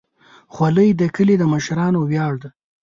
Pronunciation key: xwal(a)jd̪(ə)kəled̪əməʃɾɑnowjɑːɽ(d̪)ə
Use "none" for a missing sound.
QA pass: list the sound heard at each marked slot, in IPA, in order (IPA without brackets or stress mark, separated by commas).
ə, ə, d̪